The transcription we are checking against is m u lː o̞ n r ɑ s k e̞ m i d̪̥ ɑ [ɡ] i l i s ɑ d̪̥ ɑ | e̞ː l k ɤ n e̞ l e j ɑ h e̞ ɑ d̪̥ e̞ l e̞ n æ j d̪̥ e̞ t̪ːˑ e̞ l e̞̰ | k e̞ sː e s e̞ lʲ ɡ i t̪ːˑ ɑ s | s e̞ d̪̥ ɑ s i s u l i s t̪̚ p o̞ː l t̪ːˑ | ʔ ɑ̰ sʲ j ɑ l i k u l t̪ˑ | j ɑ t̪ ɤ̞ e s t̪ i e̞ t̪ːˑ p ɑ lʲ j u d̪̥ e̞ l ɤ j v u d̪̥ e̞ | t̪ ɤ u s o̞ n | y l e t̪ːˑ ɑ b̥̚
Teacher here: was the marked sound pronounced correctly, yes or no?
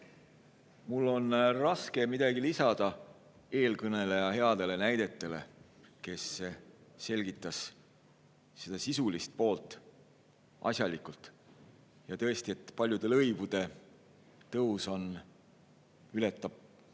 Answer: yes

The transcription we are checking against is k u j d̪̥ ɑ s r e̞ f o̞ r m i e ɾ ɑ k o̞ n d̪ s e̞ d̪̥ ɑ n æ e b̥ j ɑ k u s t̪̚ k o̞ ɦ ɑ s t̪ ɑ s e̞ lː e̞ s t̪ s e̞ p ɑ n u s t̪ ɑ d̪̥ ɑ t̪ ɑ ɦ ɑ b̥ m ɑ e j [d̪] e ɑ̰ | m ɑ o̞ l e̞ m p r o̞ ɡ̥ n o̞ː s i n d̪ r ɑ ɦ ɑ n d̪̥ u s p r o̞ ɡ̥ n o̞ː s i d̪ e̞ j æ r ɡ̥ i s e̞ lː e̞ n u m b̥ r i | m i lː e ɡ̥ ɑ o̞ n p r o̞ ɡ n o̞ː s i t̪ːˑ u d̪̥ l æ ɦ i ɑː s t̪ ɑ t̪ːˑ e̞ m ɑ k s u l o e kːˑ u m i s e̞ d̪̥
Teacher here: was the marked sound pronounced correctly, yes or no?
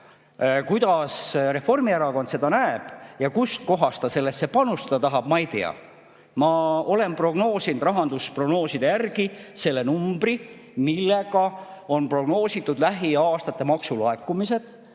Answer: no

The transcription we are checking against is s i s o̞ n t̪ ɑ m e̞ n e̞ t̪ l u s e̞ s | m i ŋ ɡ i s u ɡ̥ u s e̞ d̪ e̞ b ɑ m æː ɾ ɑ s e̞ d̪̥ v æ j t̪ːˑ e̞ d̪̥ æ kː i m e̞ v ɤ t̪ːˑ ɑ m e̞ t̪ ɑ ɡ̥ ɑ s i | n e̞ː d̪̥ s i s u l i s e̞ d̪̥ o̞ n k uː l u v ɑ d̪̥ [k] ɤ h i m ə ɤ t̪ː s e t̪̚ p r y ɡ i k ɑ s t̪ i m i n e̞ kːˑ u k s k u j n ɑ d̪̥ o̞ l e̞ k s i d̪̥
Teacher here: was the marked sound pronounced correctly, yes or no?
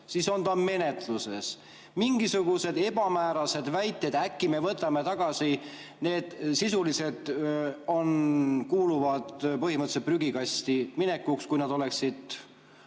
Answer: no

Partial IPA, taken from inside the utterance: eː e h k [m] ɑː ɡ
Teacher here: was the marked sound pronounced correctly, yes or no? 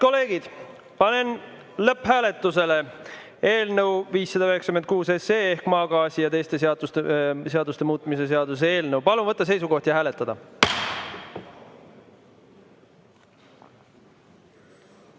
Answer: yes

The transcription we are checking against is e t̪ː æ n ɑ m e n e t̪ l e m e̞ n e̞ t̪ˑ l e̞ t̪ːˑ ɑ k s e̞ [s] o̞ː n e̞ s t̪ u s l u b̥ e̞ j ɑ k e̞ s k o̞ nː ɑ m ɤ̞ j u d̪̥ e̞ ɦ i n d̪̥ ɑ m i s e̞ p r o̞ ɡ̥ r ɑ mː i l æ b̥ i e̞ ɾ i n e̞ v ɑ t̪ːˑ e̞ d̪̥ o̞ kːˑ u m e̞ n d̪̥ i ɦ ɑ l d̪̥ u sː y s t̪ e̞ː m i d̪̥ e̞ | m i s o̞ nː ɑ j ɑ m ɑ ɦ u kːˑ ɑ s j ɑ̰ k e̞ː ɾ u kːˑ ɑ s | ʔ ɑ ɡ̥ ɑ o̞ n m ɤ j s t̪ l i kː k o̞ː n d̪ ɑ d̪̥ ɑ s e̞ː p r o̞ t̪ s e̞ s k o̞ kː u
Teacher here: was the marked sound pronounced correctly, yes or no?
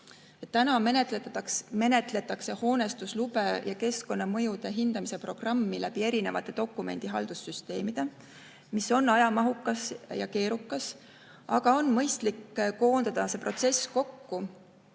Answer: no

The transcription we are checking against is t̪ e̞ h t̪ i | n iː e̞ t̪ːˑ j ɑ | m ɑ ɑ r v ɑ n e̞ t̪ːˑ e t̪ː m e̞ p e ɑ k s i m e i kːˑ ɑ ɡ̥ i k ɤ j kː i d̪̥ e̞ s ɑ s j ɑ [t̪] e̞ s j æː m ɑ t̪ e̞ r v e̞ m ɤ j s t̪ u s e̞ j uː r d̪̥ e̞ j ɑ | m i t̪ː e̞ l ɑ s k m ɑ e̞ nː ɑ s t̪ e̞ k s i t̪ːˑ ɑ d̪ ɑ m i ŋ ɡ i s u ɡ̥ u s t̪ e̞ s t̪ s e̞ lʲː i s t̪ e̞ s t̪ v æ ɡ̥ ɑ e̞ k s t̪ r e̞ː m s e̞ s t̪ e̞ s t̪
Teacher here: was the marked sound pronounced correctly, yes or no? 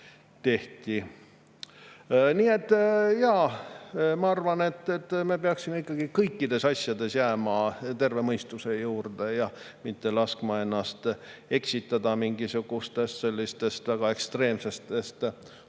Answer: no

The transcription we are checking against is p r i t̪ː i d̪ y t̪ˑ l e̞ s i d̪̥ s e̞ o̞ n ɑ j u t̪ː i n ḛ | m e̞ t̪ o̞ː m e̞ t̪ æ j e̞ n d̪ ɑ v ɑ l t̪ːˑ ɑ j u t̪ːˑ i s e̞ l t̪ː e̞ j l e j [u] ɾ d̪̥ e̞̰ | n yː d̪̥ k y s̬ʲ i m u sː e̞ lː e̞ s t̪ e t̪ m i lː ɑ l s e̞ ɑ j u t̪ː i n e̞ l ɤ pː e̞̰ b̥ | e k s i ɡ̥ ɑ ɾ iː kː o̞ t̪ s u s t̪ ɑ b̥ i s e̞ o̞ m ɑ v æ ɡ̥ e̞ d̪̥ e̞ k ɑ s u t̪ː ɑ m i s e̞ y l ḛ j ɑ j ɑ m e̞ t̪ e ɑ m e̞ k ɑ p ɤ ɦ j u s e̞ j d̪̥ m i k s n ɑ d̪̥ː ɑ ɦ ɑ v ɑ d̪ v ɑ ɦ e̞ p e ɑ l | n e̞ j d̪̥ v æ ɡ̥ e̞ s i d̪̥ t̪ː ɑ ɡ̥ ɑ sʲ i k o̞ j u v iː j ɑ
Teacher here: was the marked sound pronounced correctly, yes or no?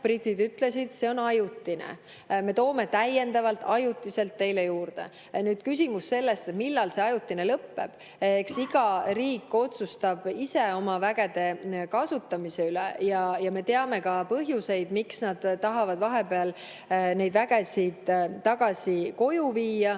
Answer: no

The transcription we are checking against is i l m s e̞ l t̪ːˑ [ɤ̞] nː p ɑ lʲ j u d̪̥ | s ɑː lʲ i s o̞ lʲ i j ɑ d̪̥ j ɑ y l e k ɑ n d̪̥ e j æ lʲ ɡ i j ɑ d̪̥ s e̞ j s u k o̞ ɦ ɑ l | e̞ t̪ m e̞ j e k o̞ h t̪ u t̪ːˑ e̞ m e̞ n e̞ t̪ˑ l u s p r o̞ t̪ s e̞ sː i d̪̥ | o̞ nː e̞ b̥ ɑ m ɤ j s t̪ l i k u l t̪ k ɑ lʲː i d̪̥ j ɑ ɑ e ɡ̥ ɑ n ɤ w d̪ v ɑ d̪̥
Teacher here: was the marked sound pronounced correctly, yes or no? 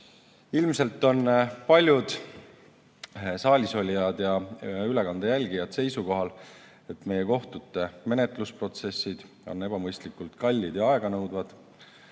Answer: no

